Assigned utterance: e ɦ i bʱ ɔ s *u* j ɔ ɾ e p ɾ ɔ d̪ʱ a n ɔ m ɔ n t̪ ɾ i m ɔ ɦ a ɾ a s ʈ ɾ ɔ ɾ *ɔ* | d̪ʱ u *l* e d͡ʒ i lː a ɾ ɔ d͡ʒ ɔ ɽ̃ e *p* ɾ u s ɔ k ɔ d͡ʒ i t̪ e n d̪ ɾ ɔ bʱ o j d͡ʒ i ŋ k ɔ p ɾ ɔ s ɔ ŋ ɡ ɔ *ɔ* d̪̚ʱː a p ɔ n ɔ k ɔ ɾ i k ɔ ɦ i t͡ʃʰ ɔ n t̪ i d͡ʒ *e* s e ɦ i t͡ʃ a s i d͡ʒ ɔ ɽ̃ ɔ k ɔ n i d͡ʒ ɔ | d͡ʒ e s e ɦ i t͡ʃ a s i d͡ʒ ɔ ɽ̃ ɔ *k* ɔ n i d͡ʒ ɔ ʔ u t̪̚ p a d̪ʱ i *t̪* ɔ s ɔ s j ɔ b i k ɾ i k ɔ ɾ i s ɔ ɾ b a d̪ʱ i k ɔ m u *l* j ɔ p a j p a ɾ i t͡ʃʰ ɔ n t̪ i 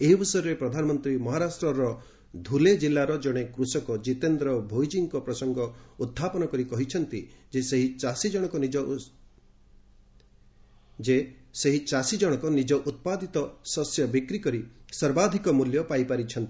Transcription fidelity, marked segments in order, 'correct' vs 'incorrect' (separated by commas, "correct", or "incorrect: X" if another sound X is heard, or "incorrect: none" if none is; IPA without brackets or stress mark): incorrect: ɔ, correct, correct, incorrect: k, incorrect: u, correct, correct, correct, correct